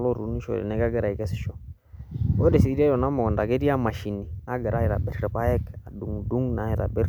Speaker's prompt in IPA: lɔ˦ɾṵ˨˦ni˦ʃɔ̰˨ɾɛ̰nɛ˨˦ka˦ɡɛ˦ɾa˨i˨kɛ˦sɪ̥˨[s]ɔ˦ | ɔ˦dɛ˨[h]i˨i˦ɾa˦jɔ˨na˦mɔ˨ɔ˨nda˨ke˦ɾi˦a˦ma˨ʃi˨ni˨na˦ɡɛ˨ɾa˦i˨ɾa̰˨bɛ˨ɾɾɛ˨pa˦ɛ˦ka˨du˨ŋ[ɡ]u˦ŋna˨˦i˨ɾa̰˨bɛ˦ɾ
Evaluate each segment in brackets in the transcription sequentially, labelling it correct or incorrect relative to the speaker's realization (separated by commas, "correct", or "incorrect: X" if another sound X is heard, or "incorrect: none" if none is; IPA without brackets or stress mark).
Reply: incorrect: ʃ, incorrect: s, incorrect: d